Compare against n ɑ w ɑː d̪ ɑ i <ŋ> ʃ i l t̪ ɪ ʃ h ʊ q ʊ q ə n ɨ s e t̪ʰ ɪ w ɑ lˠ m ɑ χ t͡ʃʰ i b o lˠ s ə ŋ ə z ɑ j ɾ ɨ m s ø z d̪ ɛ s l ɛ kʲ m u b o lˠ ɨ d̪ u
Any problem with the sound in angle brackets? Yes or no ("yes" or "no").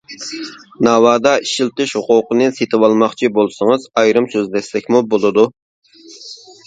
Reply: yes